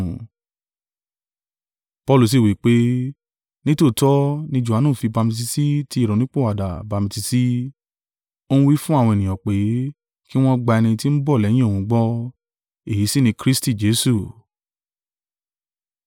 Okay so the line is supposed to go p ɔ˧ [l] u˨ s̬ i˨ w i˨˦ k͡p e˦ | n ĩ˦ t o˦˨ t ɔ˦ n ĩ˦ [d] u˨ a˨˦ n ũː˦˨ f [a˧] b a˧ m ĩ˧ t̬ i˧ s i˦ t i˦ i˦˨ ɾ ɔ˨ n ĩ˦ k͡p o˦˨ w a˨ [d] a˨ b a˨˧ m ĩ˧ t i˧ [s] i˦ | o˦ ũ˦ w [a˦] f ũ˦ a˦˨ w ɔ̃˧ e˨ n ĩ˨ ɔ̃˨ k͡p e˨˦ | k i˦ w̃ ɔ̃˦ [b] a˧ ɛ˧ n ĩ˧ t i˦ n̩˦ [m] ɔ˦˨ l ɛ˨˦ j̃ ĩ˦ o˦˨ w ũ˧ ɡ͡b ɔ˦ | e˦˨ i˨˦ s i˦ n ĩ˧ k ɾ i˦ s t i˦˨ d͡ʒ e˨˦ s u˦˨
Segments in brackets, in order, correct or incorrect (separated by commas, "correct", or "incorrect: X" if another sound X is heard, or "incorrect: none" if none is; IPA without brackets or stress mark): correct, incorrect: d͡ʒ, incorrect: i˧, correct, correct, incorrect: i˦, incorrect: ɡ͡b, incorrect: b